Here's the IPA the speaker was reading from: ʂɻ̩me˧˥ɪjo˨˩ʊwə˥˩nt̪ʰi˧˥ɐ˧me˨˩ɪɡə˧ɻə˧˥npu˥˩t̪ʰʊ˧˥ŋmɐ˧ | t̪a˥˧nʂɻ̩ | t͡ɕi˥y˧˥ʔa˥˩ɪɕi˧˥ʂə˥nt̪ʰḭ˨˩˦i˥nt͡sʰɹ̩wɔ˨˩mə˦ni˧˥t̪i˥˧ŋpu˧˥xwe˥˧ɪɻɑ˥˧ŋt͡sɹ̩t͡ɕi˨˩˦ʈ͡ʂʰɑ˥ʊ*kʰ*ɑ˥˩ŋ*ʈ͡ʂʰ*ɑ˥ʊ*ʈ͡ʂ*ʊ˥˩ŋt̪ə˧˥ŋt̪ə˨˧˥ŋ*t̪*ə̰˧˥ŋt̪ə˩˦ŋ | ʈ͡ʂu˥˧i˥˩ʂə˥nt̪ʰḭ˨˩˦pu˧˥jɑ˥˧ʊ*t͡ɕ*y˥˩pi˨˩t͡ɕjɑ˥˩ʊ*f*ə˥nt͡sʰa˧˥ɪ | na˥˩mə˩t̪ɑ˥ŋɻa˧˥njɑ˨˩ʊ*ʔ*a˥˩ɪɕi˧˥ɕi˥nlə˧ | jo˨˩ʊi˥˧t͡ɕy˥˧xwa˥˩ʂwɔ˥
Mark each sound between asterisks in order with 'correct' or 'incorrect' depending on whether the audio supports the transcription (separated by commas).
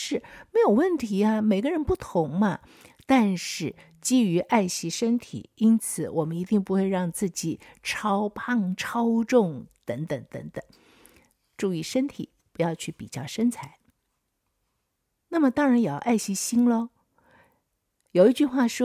incorrect, correct, correct, correct, incorrect, incorrect, correct